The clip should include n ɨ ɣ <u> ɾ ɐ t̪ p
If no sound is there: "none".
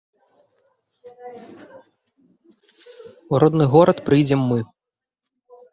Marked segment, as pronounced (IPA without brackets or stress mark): ɔ